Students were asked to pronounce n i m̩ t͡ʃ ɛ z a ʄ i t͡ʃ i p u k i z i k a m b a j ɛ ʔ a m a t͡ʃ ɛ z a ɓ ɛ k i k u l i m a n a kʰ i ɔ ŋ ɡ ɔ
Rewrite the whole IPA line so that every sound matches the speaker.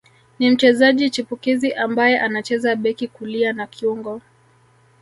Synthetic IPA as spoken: n i m̩ t͡ʃ ɛ z a ʄ i t͡ʃ i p u k i z i ʔ a m b a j ɛ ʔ a n a t͡ʃ ɛ z a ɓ ɛ k i k u l i a n a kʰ i u ŋ ɡ ɔ